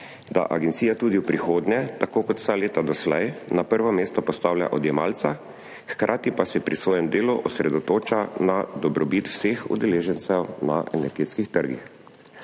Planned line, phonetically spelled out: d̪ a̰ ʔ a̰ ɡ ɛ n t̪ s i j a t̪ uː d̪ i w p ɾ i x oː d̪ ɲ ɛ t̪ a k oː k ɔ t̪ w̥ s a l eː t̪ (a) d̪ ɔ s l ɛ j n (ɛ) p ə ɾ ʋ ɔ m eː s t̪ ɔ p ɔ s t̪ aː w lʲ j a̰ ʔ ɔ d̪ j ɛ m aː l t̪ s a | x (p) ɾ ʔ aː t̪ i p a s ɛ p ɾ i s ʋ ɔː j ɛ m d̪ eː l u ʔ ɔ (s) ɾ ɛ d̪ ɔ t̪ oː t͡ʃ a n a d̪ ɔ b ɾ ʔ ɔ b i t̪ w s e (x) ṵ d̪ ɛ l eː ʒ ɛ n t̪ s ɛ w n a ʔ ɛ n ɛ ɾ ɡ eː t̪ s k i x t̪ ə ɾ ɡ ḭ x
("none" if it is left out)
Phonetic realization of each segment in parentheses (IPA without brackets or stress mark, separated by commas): a, a, k, s, x